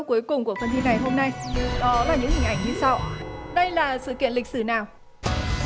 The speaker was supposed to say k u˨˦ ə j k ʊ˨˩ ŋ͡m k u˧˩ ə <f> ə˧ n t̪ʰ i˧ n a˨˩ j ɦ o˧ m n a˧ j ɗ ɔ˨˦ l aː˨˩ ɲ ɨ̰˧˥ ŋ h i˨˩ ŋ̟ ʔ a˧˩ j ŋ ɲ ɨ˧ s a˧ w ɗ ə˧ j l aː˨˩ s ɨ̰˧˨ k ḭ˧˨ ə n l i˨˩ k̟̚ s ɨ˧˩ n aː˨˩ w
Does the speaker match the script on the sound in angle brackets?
yes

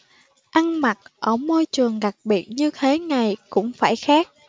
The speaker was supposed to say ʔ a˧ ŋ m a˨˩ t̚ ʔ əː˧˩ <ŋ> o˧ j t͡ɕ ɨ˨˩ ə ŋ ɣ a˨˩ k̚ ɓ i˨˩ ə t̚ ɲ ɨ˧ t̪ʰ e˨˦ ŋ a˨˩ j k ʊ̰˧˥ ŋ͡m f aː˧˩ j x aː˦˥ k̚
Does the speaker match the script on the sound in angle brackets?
no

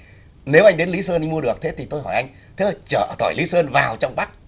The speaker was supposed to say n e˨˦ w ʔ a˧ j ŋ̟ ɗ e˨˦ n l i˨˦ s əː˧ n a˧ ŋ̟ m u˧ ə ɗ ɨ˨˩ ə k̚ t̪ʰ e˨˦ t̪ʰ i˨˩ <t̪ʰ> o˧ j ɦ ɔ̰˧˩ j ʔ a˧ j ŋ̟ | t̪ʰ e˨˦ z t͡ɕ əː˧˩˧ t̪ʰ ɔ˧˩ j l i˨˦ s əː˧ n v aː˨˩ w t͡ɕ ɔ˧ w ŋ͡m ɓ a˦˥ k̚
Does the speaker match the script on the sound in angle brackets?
no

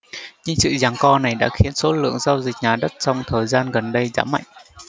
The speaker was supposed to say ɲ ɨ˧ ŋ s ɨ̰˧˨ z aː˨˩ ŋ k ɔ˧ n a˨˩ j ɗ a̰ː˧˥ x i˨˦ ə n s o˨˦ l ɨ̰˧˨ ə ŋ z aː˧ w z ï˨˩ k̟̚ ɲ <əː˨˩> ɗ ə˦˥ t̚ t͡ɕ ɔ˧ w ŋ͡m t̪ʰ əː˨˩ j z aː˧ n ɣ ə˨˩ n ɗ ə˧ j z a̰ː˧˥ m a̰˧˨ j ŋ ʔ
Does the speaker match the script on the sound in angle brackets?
no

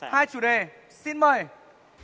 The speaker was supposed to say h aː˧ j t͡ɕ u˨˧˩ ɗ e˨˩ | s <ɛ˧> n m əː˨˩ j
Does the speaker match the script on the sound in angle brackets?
no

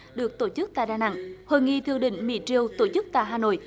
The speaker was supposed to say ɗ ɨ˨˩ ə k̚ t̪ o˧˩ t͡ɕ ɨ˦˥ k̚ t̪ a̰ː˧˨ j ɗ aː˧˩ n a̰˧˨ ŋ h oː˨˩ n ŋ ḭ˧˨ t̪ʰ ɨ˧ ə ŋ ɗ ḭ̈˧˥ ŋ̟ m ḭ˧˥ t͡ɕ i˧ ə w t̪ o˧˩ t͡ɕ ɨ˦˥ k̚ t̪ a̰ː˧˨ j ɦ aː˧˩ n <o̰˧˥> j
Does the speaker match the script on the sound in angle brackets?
no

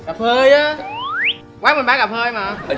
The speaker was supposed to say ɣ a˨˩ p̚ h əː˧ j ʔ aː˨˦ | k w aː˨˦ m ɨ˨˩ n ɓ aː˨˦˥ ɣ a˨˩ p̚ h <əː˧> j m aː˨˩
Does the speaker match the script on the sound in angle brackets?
yes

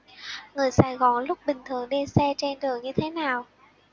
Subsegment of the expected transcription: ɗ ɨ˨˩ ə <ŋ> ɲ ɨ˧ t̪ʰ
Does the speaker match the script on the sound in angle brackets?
yes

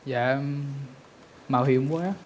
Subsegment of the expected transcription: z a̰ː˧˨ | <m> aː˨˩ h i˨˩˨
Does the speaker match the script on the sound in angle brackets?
yes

